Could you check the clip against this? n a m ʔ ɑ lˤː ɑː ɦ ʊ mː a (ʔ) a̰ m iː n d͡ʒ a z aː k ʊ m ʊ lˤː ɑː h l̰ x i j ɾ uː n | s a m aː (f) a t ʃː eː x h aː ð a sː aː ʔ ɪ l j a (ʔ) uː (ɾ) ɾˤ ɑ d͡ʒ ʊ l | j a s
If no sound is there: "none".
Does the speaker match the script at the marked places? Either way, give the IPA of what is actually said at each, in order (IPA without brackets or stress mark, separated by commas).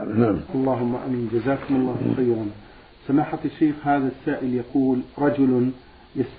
ʔ, ħ, q, l